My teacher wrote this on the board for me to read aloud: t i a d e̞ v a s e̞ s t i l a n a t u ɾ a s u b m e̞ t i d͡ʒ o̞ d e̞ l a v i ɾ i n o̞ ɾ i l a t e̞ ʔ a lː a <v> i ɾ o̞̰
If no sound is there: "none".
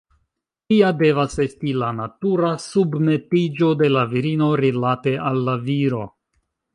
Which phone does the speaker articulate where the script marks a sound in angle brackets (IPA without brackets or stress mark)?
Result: v